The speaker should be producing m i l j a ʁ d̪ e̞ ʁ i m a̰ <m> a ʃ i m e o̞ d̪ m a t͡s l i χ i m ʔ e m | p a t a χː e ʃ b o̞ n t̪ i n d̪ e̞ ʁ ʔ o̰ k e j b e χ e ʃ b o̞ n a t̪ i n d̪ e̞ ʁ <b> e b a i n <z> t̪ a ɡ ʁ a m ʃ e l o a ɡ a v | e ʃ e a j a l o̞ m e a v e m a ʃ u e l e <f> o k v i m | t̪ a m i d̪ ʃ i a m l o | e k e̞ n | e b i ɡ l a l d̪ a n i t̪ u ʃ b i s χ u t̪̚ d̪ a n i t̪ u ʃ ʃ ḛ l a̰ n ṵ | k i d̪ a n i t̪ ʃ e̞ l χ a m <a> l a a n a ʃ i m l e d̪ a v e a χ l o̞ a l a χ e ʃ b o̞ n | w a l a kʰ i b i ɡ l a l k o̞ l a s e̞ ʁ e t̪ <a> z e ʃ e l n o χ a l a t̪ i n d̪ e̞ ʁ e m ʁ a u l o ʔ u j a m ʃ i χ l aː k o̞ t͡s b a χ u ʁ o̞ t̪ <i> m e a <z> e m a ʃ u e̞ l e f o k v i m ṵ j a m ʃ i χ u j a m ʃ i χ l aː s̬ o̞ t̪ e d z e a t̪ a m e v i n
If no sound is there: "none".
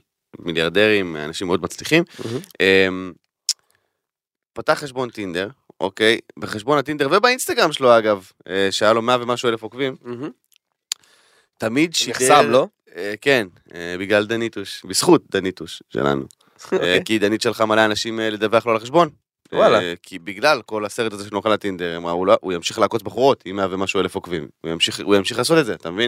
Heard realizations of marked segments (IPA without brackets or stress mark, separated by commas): n, v, s, f, a, a, i, v